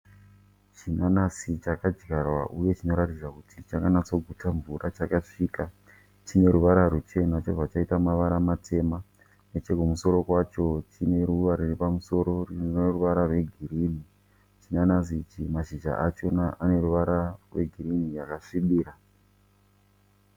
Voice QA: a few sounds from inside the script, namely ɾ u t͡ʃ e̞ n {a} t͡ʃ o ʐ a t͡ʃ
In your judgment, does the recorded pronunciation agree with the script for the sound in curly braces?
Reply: yes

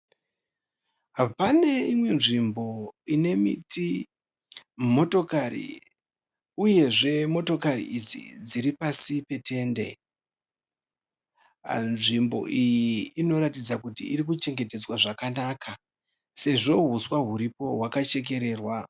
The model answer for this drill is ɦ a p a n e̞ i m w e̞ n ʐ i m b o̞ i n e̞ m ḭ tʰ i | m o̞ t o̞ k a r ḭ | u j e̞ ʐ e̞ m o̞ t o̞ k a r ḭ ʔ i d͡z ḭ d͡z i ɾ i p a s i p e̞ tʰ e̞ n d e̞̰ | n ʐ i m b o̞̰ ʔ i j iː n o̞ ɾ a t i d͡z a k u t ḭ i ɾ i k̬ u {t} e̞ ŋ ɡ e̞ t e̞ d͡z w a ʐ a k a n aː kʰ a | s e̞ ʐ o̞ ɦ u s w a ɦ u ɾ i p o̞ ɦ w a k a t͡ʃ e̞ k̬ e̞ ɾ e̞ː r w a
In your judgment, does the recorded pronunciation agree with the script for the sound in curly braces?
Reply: no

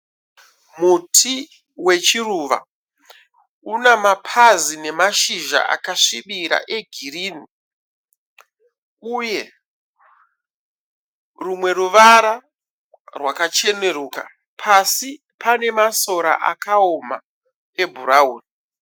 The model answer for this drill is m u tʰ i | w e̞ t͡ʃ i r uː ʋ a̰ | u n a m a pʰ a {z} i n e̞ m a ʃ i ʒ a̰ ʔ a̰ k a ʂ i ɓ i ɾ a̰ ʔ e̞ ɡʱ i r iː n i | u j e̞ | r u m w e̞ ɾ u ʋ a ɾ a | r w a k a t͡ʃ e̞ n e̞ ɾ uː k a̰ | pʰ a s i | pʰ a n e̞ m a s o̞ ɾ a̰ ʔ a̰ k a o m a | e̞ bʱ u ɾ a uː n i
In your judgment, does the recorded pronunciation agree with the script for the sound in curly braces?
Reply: yes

